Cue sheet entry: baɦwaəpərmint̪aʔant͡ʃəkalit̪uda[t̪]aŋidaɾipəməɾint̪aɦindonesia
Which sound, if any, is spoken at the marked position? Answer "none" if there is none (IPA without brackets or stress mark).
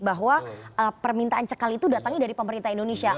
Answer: t̪